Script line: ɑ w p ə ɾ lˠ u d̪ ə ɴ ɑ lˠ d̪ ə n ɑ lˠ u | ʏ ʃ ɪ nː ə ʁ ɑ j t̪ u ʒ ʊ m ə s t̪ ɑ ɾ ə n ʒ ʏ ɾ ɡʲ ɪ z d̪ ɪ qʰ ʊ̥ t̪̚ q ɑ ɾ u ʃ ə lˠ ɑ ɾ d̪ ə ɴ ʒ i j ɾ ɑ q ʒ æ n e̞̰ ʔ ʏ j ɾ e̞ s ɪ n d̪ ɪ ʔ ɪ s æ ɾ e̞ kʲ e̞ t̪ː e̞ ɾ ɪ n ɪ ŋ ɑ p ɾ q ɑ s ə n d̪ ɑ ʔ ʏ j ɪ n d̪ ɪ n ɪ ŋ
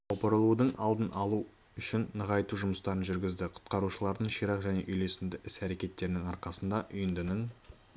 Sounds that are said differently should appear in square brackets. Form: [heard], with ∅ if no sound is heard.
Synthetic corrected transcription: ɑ w p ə ɾ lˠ u d̪ ə ɴ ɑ lˠ d̪ ə n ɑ lˠ u | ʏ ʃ ɪ nː ə ʁ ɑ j t̪ u ʒ ʊ m ə s t̪ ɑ ɾ ə n ʒ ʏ ɾ ɡʲ ɪ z d̪ ɪ qʰ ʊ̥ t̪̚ q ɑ ɾ u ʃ ə lˠ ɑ ɾ d̪ ə ɴ [ʃ] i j ɾ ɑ q ʒ æ n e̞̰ ʔ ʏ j [l] e̞ s ɪ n d̪ ɪ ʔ ɪ s æ ɾ e̞ kʲ e̞ t̪ː e̞ ɾ ɪ n ɪ ŋ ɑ [∅] ɾ q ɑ s ə n d̪ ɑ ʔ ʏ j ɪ n d̪ ɪ n ɪ ŋ